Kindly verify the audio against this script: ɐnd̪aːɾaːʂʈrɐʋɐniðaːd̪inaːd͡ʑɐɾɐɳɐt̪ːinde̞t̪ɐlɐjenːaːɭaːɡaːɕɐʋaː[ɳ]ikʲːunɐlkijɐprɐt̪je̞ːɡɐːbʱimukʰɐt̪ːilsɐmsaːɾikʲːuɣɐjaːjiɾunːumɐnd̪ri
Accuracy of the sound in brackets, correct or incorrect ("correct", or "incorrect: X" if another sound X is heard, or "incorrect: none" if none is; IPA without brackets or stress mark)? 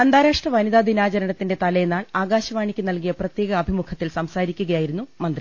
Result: correct